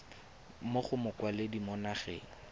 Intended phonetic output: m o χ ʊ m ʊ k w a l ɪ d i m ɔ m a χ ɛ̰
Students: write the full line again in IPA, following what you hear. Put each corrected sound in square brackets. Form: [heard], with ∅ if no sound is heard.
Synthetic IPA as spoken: m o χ ʊ m ʊ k w a l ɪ d i m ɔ [n] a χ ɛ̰